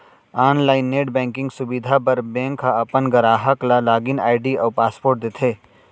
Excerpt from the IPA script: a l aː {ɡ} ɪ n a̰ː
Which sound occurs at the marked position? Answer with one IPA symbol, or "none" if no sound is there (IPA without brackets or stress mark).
ɡ